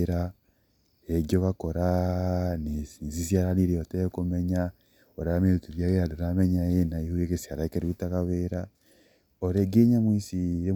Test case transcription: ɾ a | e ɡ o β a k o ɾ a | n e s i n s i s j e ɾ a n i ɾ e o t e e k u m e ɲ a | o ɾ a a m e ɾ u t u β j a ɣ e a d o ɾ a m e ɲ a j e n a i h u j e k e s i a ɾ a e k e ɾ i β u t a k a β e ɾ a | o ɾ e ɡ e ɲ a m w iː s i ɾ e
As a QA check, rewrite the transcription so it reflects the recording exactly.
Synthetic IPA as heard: ɾ a | e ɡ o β a k o ɾ a | n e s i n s i s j a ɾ a n i ɾ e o t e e k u m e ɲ a | o ɾ a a m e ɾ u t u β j a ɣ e a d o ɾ a m e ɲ a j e n a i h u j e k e s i a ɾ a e k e ɾ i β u t a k a β e ɾ a | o ɾ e ɡ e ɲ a m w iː s i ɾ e